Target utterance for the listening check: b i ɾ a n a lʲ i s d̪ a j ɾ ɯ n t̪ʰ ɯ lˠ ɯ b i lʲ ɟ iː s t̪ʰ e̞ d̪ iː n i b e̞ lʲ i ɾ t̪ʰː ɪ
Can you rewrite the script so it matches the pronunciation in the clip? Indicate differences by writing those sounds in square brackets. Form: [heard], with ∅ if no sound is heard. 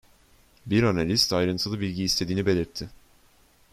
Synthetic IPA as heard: b i ɾ a n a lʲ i s [t̪] a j ɾ ɯ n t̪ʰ ɯ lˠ ɯ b i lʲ ɟ iː s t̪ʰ e̞ d̪ iː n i b e̞ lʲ i ɾ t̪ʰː ɪ